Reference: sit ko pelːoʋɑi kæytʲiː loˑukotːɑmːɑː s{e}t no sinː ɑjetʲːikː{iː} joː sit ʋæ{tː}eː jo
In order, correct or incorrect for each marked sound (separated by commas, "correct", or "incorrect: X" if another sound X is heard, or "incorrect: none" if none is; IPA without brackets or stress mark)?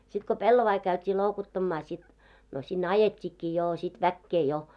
incorrect: i, correct, incorrect: kː